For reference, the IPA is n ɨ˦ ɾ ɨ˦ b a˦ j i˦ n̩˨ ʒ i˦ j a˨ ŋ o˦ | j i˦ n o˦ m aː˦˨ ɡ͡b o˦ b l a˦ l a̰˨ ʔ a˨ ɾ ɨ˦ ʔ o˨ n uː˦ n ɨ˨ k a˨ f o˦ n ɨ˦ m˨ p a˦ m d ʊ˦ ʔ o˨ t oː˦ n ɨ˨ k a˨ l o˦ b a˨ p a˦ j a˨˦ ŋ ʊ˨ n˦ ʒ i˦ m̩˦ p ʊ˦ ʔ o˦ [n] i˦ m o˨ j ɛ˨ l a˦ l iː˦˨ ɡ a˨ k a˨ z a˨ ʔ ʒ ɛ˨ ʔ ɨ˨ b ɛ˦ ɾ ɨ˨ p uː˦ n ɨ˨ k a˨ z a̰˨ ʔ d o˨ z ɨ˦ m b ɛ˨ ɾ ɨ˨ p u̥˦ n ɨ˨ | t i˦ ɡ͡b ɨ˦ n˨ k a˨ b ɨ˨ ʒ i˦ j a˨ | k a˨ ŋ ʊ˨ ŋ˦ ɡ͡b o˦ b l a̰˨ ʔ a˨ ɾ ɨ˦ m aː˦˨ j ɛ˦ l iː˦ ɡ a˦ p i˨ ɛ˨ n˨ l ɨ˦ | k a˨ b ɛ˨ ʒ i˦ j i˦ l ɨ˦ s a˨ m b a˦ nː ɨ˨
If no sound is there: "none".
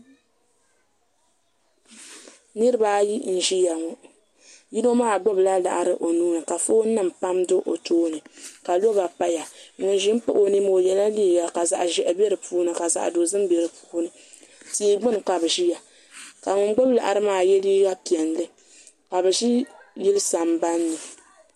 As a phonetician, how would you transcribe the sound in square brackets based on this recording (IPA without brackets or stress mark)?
n